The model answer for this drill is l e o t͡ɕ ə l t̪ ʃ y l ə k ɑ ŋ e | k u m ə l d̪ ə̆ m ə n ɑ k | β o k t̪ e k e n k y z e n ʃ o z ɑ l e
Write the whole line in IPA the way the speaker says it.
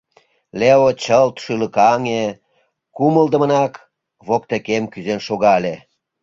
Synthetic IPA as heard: l e o t͡ɕ ə l t̪ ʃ y l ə k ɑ ŋ e | k u m ə l d̪ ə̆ m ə n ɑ k | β o k t̪ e k e m k y z e n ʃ o ɣ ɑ l e